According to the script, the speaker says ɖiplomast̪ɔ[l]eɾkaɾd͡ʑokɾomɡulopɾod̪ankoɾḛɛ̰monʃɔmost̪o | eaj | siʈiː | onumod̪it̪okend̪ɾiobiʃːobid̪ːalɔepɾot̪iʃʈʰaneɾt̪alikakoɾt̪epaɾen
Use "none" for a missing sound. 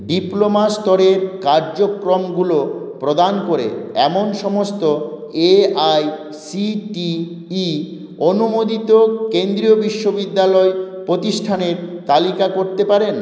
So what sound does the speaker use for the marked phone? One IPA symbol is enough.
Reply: ɾ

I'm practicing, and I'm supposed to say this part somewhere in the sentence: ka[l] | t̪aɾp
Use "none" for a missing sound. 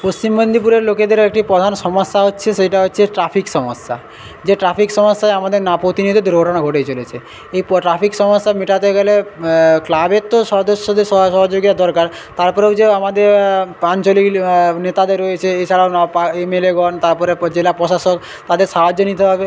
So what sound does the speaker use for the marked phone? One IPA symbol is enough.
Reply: ɾ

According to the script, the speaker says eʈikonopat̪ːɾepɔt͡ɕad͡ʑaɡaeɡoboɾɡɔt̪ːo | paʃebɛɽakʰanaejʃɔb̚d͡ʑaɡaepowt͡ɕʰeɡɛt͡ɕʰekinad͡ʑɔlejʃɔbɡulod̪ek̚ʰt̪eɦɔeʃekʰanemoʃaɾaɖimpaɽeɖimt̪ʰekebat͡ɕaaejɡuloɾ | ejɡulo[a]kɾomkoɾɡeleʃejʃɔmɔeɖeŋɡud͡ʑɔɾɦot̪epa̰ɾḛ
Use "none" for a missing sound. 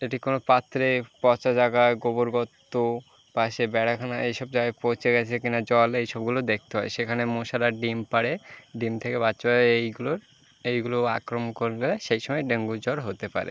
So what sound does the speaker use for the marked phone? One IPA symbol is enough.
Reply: a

